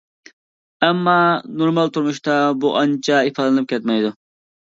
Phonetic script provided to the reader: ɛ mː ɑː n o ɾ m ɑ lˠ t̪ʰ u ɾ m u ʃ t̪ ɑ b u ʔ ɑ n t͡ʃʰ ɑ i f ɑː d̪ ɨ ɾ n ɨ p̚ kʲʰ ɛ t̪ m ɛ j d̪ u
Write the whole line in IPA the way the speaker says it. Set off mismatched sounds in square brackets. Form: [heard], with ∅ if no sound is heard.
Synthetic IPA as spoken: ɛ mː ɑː n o ɾ m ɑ lˠ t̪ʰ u ɾ m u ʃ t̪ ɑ b u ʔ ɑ n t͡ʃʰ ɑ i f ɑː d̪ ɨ [∅] n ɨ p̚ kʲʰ ɛ t̪ m ɛ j d̪ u